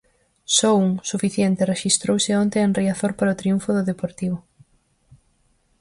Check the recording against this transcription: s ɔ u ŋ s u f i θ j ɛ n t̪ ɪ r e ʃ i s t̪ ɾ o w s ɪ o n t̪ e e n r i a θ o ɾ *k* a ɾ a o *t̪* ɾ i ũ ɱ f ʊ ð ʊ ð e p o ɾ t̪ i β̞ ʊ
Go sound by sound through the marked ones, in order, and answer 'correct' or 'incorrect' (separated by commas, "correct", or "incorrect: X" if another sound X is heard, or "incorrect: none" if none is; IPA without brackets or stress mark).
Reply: incorrect: p, correct